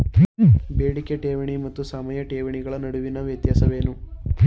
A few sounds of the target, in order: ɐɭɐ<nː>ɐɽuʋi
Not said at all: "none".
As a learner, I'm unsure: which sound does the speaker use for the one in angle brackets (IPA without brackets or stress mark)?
n